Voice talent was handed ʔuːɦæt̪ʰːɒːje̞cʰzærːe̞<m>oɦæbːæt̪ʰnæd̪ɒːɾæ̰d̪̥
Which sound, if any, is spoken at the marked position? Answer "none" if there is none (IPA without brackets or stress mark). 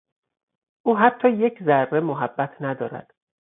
m